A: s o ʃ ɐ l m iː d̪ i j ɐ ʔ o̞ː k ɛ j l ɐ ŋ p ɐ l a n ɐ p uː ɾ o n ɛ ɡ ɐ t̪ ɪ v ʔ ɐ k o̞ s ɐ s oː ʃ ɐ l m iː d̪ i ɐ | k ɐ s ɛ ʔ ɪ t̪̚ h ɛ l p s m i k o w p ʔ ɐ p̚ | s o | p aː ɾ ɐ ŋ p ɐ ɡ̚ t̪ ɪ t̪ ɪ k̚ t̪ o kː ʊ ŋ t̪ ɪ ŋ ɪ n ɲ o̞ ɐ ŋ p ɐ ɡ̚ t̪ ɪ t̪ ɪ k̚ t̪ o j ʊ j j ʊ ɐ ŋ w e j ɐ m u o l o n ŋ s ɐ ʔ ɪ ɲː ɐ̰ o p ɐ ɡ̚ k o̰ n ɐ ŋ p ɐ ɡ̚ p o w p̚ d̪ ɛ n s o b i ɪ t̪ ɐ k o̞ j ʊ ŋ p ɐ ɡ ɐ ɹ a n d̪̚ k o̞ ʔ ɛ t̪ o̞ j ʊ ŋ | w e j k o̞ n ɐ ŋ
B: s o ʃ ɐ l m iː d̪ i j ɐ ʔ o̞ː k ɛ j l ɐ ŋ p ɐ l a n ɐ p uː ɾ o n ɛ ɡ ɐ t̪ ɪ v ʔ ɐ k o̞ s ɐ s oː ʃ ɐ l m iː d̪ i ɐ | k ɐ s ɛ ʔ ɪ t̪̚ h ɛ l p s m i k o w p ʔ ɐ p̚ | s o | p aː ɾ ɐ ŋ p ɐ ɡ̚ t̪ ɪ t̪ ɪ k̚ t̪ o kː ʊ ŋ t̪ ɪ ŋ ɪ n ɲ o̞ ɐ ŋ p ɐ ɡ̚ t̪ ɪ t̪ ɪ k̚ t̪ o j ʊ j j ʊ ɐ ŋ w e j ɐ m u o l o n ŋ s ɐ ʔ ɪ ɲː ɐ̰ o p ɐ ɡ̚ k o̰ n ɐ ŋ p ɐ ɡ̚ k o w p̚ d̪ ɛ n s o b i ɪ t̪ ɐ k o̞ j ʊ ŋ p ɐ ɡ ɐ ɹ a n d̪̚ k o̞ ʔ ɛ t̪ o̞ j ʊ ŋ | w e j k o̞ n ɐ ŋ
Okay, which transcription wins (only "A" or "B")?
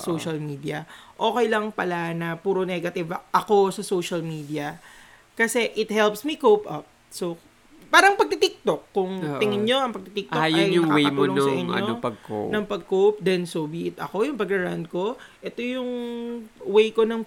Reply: B